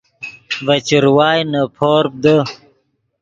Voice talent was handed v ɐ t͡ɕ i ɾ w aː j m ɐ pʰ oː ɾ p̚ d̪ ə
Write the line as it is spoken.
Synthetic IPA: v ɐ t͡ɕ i ɾ w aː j n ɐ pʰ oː ɾ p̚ d̪ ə